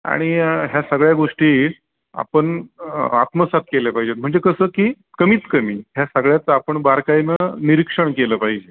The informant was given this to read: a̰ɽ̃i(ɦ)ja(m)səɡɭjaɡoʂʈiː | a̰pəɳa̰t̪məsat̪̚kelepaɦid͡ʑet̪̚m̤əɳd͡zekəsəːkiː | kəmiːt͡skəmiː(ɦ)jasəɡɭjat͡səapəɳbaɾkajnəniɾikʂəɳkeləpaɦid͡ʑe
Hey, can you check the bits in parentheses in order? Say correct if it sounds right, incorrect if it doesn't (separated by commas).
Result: correct, incorrect, correct